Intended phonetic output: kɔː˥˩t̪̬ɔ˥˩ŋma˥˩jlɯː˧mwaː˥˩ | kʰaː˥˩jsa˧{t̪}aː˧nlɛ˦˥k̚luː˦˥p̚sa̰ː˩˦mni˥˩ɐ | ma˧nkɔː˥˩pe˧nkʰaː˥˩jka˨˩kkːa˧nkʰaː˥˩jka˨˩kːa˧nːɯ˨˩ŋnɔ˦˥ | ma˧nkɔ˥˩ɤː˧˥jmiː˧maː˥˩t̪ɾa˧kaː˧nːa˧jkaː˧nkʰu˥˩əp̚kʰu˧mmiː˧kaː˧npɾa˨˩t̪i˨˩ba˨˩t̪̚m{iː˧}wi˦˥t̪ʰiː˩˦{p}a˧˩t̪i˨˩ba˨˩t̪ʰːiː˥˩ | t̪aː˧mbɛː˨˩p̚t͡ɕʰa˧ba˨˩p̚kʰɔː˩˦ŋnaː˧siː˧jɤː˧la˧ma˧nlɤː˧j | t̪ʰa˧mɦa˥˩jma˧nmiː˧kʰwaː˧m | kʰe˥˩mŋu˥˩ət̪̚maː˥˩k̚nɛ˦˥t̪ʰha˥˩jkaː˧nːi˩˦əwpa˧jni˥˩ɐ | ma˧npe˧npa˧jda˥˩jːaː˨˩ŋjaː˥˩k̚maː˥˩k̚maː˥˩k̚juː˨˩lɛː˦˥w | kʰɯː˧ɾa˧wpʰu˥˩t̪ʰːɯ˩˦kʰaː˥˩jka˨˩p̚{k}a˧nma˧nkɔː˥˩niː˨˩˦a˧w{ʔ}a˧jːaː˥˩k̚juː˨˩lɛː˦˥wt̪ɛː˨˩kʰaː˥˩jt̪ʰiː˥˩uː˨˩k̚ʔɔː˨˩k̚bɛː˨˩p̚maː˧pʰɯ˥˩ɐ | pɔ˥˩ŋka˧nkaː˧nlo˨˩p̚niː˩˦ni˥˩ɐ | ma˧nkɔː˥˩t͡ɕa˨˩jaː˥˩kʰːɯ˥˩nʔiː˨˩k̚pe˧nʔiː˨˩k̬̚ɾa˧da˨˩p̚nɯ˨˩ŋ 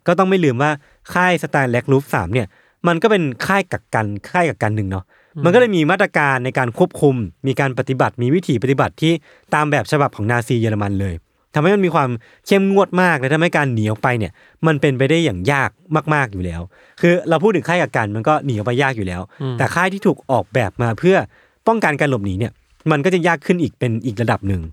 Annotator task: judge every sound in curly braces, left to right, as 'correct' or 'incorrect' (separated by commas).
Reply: correct, correct, correct, correct, incorrect